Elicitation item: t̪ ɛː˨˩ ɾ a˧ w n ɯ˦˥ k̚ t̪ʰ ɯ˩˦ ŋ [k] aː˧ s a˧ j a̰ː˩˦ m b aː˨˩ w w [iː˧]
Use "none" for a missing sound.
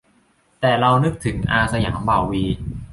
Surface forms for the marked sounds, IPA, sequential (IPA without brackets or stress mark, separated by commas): ʔ, iː˧